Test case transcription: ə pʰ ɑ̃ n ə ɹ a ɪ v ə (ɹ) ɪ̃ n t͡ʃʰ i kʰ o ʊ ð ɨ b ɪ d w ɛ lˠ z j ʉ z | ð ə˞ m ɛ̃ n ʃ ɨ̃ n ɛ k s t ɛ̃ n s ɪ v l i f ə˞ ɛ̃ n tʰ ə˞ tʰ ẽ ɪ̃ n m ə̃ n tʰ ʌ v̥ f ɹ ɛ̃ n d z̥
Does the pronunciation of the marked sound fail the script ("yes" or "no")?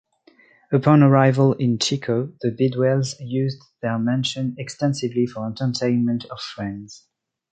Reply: yes